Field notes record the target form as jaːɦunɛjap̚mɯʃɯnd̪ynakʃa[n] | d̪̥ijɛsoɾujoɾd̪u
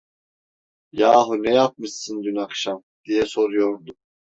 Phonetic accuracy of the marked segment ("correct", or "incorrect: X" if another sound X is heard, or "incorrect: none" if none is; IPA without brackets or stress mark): incorrect: m